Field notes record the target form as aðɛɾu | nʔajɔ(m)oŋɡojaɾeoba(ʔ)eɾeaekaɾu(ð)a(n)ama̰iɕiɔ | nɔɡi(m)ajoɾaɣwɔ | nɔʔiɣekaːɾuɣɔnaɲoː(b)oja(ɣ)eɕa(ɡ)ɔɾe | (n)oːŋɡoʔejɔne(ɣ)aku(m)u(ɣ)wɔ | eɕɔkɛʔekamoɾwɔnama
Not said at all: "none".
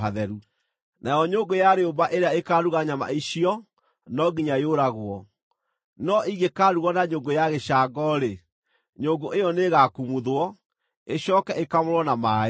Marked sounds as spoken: ɲ, ʔ, ɣ, ɲ, ɲ, ɡ, ɣ, ɡ, ɲ, ɣ, m, ð

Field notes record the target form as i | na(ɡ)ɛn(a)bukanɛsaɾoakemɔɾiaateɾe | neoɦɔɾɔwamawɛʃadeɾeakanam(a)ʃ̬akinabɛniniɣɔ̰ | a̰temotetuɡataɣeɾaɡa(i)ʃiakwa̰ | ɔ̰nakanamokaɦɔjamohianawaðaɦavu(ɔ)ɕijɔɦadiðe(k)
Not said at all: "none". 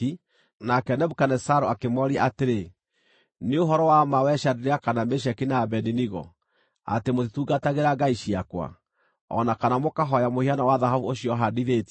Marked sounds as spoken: k, ɛ, e, i, o, t

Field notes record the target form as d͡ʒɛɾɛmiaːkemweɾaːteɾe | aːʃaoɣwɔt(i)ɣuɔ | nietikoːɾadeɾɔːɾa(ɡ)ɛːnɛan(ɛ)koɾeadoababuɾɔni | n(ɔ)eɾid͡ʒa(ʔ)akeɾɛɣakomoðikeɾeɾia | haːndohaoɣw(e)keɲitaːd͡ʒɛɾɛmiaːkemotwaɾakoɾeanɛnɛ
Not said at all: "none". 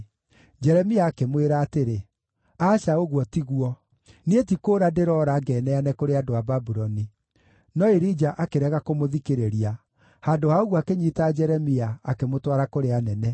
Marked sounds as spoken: i, ɡ, ɛ, ɔ, ʔ, a

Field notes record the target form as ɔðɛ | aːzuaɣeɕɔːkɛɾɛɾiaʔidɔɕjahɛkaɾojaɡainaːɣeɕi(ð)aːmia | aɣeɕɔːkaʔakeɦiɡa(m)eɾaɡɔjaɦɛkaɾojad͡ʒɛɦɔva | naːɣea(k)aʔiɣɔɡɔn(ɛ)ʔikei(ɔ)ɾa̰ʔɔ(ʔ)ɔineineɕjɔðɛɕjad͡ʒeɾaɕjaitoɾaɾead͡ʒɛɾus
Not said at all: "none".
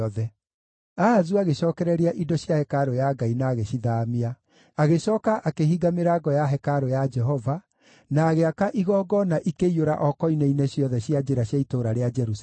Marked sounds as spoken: ð, m, k, a, o, k

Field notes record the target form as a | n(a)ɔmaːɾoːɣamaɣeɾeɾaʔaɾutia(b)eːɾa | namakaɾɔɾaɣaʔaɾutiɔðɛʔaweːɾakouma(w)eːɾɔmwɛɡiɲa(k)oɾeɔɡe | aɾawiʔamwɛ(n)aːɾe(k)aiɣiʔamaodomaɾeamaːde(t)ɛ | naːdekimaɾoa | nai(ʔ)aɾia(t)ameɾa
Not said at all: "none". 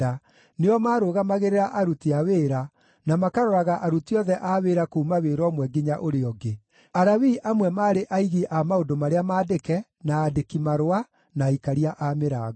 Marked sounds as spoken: e, w, w, ʔ, m, ʔ, k, k, ʔ

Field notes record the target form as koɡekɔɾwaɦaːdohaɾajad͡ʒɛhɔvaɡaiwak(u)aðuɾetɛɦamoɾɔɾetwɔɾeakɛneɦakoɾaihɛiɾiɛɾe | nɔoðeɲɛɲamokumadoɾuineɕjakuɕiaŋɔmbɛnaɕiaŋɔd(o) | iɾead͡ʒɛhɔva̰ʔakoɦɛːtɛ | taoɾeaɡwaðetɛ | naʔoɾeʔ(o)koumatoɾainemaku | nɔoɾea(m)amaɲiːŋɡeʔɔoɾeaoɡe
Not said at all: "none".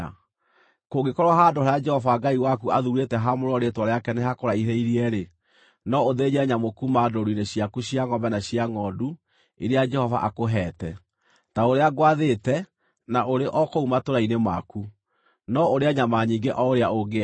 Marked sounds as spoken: u, u, ɔ, ɲ

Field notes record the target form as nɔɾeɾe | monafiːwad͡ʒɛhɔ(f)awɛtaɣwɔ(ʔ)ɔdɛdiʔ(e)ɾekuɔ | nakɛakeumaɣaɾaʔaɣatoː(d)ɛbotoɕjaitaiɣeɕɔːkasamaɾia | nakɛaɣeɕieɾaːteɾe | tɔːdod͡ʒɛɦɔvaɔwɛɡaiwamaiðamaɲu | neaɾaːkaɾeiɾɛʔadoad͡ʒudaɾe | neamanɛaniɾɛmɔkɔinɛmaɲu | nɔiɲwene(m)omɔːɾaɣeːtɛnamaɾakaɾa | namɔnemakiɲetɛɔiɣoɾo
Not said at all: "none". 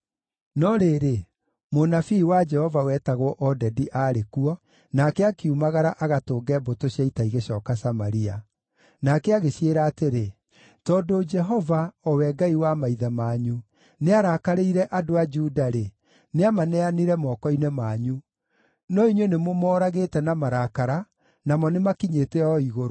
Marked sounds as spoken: v, ʔ, a, ɡ, m

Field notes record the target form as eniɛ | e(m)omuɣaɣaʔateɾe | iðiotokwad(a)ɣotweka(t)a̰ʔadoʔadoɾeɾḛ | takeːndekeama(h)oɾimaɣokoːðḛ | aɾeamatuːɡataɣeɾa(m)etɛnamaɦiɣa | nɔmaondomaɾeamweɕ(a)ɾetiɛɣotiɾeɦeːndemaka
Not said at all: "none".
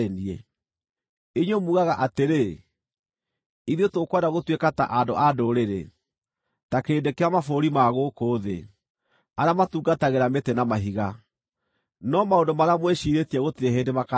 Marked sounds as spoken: ɲ, a, t, f, m, i

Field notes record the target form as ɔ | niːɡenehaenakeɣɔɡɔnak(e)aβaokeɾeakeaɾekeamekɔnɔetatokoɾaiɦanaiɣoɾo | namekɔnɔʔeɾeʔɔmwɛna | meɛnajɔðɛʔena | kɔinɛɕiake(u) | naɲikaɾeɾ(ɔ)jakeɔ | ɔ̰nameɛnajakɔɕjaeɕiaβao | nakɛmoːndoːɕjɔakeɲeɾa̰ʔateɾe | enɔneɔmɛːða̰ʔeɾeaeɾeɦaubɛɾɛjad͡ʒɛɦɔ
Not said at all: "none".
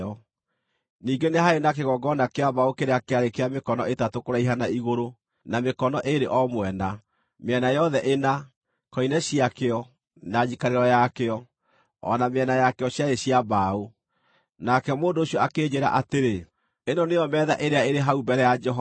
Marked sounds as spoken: e, ɔ, ɔ

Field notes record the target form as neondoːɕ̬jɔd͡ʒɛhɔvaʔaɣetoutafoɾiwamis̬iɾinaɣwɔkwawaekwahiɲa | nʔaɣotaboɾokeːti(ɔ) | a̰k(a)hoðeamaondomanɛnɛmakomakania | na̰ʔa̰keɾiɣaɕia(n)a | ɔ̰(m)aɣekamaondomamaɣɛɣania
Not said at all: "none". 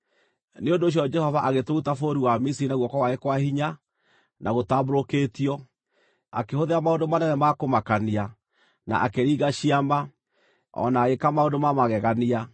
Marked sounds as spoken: ɔ, e, m, n

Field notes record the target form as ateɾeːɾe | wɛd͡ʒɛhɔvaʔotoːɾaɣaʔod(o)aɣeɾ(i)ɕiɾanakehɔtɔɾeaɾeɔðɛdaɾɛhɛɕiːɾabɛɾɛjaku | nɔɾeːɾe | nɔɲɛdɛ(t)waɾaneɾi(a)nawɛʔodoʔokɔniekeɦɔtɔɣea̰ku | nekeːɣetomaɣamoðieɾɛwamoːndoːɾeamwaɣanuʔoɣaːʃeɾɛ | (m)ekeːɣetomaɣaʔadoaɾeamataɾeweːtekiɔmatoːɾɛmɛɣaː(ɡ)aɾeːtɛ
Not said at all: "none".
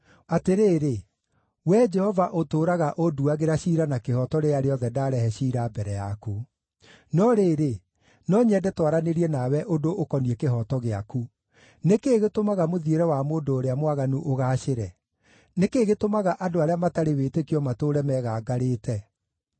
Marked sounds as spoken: u, a, t, ɛ, n, ɡ

